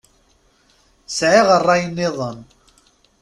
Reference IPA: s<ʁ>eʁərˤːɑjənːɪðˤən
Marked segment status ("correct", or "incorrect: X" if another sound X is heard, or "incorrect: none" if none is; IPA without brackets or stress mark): incorrect: ʕ